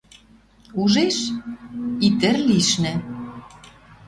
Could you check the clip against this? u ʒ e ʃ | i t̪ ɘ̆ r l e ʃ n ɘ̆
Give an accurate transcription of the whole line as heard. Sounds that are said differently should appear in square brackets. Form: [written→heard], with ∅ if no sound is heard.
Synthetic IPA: u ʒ e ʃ | i t̪ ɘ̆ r l [e→i] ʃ n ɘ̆